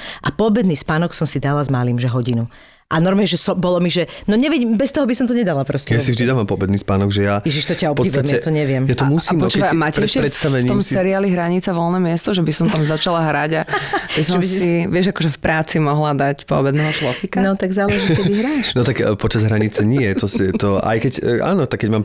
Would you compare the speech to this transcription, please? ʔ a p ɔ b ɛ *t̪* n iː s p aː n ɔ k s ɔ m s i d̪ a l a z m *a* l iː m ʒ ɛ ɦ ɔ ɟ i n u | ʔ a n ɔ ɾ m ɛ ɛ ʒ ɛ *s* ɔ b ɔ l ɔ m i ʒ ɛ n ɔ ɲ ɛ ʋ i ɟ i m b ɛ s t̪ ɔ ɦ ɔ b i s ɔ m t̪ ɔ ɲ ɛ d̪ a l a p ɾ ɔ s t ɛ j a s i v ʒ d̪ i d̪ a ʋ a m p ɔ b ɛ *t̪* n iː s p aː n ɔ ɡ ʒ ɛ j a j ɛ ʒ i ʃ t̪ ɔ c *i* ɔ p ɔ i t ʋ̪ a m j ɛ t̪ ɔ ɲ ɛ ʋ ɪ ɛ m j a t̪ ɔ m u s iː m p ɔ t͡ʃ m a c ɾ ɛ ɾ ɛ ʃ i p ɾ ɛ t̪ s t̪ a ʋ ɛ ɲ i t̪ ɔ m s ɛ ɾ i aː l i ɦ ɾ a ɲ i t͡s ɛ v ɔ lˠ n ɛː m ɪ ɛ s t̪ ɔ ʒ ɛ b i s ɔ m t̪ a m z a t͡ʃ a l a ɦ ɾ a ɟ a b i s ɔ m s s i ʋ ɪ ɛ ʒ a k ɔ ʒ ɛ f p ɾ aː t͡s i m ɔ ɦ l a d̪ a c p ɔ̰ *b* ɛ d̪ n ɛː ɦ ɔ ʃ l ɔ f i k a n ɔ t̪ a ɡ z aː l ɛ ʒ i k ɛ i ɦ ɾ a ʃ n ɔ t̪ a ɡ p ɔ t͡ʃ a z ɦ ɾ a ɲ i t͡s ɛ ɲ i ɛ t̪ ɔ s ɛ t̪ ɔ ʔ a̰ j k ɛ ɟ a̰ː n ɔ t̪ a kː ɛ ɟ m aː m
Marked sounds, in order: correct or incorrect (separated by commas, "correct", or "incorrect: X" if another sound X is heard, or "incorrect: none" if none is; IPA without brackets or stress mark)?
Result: incorrect: d̪, correct, correct, incorrect: d̪, incorrect: a, correct